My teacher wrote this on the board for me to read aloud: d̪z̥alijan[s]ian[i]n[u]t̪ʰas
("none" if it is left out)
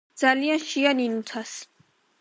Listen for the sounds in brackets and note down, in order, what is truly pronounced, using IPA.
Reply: ʃ, i, u

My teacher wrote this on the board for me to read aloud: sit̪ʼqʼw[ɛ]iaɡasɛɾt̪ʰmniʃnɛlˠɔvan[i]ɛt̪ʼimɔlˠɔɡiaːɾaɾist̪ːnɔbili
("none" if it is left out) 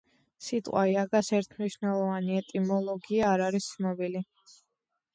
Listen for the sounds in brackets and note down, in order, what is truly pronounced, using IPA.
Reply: a, i

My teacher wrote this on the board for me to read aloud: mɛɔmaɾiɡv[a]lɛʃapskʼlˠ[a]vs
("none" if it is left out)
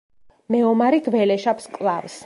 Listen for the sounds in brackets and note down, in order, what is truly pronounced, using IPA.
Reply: ɛ, a

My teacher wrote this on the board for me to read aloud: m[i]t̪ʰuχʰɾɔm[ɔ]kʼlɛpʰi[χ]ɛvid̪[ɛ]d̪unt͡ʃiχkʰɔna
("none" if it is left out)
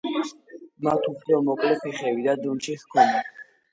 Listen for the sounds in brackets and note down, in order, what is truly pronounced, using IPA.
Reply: a, ɔ, χ, a

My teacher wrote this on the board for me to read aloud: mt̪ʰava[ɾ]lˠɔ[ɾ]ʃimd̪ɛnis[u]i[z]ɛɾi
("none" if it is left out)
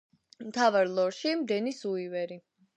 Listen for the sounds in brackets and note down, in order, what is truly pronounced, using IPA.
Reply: ɾ, ɾ, u, v

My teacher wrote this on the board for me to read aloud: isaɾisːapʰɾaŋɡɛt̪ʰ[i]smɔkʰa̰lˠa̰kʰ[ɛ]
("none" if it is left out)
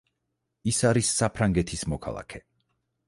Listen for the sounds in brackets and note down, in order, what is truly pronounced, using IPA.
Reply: i, ɛ

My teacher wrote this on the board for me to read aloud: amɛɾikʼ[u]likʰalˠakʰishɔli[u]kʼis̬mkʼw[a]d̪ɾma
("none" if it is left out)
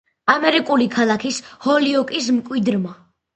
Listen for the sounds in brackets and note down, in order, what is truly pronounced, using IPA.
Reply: u, ɔ, i

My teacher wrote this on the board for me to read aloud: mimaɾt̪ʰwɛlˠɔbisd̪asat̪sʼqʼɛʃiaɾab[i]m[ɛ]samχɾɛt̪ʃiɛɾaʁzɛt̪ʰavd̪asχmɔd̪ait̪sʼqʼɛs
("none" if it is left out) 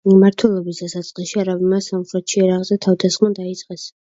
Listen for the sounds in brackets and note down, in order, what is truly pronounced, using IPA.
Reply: i, a

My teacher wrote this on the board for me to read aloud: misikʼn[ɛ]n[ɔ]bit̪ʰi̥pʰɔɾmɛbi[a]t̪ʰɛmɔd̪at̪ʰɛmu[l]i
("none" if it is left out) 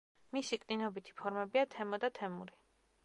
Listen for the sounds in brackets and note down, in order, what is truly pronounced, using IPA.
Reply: i, ɔ, a, ɾ

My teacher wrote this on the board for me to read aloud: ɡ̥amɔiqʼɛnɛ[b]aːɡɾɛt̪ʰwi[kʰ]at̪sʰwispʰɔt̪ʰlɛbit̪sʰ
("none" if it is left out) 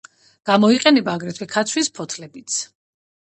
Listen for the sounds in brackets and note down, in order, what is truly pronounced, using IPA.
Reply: b, kʰ

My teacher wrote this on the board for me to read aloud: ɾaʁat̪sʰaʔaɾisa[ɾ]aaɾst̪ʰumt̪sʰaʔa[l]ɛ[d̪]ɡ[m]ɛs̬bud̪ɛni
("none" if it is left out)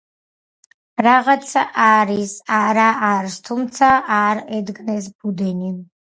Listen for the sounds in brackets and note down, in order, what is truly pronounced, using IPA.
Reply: ɾ, ɾ, d̪, n

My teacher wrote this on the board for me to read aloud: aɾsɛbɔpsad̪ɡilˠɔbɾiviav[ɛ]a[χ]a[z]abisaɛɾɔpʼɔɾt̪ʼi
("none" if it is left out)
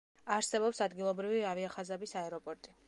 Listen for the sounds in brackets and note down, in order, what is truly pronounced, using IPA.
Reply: i, χ, z

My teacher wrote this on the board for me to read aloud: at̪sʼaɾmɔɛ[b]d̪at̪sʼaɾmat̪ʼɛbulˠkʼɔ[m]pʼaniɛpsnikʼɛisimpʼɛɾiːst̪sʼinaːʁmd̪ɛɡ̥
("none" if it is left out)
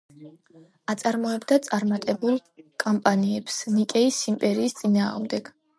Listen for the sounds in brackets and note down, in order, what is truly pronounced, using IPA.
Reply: b, m

